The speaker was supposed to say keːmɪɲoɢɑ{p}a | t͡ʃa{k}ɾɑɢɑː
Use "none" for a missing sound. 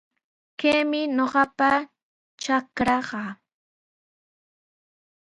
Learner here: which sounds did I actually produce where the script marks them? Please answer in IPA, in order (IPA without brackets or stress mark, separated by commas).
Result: p, k